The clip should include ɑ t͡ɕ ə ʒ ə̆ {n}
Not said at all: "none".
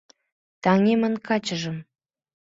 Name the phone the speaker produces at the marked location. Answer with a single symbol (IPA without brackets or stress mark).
m